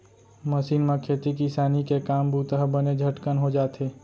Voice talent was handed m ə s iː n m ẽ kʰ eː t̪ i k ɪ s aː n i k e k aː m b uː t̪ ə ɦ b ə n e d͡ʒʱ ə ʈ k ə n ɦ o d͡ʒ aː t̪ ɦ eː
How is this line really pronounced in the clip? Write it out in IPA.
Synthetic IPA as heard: m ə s iː n m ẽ kʰ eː t̪ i k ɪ s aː n i k e k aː m b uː t̪ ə ɦ b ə n e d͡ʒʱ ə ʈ k ə n ɦ o d͡ʒ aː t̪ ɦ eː